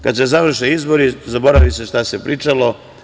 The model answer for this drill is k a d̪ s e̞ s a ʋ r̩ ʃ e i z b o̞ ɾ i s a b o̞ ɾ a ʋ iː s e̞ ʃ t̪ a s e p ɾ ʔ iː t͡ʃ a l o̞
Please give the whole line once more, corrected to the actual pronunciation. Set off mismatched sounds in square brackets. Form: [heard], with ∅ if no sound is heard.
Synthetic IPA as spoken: k a d̪ s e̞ [z] a ʋ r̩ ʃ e i z b o̞ ɾ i [z] a b o̞ ɾ a ʋ [i] s e̞ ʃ t̪ a s e p ɾ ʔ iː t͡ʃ a l o̞